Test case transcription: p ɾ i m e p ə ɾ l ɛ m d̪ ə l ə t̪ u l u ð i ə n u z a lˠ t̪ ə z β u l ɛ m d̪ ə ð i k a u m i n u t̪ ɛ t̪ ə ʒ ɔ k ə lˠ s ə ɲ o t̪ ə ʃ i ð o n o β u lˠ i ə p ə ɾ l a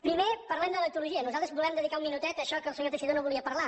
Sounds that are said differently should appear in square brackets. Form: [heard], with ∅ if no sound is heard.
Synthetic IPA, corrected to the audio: p ɾ i m e p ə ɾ l ɛ m d̪ ə l ə t̪ u l u [ʒ] i ə n u z a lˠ t̪ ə z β u l ɛ m d̪ ə ð i k a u m i n u t̪ ɛ t̪ ə [ʃ] ɔ k ə lˠ s ə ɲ o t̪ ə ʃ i ð o n o β u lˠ i ə p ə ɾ l a